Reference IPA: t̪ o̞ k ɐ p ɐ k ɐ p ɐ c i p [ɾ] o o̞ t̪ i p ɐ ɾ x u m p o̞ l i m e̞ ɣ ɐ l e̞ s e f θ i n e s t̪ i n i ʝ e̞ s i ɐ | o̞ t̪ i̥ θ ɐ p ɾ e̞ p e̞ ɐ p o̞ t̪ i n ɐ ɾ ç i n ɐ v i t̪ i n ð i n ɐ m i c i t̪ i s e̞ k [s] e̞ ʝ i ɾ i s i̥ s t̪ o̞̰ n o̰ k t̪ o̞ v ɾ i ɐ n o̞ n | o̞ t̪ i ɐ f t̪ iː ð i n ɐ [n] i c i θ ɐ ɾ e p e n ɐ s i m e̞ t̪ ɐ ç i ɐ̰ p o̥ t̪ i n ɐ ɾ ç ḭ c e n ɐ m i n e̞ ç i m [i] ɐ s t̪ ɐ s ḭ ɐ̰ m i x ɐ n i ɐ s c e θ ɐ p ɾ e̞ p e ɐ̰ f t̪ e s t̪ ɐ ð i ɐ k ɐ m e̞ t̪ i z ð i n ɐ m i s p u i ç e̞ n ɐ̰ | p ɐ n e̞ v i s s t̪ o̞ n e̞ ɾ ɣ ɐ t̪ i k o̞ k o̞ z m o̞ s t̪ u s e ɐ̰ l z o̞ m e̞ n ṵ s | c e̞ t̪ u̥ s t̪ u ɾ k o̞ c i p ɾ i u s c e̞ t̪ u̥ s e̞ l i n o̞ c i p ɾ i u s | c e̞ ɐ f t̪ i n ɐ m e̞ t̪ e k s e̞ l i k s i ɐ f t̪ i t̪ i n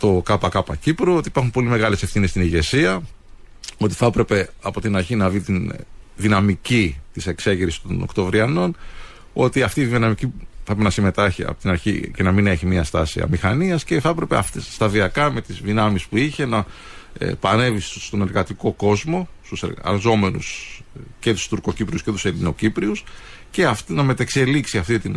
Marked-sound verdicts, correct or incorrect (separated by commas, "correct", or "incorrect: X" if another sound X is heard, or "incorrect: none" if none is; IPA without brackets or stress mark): correct, correct, incorrect: m, correct